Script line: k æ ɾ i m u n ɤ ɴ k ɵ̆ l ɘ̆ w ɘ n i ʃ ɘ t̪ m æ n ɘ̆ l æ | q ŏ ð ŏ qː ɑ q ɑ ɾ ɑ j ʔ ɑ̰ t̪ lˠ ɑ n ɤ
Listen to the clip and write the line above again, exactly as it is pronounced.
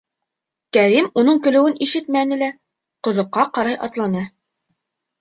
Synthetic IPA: k æ ɾ i m u n ɤ ɴ k ɵ̆ l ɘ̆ w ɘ n i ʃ ɘ t̪ m æ n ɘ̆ l æ | q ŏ ð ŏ qː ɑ q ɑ ɾ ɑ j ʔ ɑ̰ t̪ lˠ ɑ n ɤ